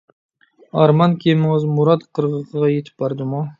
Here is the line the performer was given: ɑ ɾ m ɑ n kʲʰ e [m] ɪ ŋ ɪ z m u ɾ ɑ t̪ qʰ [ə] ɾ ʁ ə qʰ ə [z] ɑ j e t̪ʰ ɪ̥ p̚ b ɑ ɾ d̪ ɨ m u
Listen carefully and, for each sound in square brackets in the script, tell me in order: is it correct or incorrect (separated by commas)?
correct, correct, incorrect